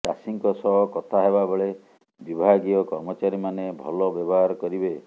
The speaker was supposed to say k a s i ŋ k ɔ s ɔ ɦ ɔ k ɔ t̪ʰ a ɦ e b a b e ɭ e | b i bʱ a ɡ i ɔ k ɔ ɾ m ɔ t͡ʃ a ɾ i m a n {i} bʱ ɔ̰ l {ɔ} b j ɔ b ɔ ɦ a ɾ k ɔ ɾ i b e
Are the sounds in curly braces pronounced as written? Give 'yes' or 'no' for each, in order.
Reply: no, yes

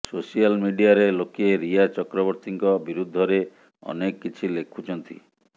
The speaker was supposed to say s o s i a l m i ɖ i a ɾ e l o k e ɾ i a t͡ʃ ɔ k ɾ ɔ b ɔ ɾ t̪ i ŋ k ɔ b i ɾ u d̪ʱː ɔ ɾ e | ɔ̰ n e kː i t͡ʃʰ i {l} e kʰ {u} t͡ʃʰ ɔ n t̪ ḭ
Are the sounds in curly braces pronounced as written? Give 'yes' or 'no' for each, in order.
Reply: yes, yes

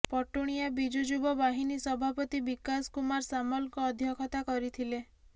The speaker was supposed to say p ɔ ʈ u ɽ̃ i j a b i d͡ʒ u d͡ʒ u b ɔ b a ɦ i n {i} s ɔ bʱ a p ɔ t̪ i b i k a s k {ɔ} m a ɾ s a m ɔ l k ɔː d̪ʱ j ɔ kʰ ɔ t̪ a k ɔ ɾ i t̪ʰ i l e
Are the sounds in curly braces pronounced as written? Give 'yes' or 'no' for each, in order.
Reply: yes, no

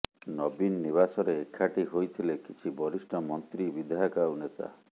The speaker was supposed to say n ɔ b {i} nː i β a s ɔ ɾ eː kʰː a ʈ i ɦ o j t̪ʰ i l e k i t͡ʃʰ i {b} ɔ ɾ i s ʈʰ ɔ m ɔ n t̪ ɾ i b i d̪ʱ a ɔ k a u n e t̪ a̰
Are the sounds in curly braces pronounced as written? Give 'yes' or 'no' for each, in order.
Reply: yes, yes

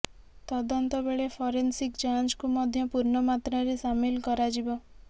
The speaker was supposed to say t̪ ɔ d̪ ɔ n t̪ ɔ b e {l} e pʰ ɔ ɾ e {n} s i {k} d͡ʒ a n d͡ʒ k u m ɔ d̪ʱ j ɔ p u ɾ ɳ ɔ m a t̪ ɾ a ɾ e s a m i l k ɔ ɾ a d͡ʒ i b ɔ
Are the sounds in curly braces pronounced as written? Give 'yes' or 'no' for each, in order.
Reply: no, yes, yes

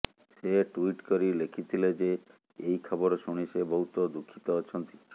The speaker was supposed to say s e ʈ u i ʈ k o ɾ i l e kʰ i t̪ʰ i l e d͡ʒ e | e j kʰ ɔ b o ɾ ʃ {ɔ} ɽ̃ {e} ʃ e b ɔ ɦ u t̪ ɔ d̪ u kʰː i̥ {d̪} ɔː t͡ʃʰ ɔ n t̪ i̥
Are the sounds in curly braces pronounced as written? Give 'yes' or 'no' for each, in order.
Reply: no, no, no

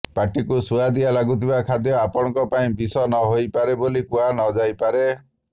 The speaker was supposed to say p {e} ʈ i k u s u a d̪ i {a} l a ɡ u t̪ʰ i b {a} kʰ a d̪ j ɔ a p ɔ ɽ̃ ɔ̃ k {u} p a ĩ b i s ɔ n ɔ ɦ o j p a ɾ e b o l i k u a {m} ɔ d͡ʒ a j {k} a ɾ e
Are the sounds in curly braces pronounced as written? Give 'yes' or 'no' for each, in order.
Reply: no, yes, yes, no, no, no

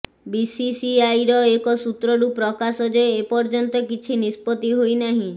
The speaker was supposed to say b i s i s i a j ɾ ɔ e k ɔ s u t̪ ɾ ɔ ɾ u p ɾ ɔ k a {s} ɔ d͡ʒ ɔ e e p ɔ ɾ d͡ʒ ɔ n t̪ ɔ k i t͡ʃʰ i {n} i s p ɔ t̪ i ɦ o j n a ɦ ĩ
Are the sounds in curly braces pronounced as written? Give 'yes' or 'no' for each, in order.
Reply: yes, yes

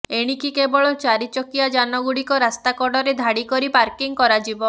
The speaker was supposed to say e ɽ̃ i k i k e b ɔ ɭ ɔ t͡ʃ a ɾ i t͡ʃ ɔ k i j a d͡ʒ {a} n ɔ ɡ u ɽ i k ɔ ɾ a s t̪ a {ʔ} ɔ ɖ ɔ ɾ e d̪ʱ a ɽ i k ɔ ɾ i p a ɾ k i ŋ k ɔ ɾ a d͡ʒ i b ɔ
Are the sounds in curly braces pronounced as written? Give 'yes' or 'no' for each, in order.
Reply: yes, no

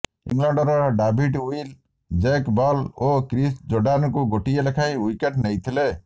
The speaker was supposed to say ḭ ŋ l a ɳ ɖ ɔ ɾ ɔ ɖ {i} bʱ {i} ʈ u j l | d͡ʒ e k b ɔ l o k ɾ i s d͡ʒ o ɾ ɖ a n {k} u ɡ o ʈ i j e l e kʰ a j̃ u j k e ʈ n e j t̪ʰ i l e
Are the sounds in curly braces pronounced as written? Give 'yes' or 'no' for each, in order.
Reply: no, yes, yes

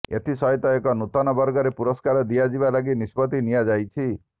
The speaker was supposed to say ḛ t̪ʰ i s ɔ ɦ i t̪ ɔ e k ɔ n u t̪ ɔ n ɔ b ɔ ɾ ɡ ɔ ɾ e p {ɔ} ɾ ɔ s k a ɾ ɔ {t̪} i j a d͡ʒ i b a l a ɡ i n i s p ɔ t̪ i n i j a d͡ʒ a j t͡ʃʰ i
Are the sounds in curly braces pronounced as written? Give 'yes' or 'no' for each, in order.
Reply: no, no

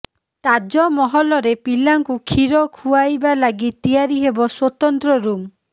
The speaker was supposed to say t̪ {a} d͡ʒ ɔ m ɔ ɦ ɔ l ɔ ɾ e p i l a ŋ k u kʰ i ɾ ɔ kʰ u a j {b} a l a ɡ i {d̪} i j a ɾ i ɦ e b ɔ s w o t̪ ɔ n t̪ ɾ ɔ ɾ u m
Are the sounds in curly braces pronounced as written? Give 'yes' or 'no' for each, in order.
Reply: yes, yes, no

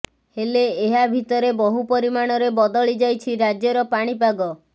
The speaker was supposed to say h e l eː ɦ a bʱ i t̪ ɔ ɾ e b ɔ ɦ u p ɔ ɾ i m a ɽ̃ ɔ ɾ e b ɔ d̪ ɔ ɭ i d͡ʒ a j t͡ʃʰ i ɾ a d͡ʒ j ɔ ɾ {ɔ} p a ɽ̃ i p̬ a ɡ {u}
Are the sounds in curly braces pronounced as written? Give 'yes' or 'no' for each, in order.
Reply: yes, no

